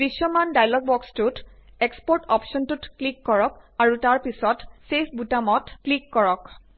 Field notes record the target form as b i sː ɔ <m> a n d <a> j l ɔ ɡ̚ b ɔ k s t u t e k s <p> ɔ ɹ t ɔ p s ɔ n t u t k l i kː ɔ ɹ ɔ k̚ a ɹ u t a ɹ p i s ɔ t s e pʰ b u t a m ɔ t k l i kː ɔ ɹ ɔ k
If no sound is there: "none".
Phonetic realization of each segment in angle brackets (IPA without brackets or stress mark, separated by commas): m, a, p